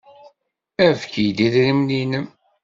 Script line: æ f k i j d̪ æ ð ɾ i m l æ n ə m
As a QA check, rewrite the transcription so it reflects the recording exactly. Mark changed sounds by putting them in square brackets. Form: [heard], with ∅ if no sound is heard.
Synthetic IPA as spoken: æ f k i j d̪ [i] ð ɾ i m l [i] n ə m